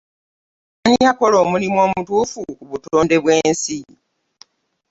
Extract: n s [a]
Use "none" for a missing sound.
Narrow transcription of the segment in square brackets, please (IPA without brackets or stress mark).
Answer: i